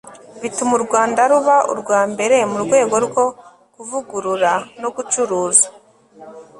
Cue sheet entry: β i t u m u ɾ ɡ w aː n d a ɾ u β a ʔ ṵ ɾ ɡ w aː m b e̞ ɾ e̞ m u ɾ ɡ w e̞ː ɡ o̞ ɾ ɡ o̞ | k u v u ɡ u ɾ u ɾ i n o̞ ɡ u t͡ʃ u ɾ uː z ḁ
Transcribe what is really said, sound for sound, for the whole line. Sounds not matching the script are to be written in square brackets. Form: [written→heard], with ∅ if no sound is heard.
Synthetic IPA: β i t u m u ɾ ɡ w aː n d a ɾ u β a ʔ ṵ ɾ ɡ w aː m b e̞ ɾ e̞ m u ɾ ɡ w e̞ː ɡ o̞ ɾ ɡ o̞ | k u v u ɡ u ɾ u ɾ [i→a] n o̞ ɡ u t͡ʃ u ɾ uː z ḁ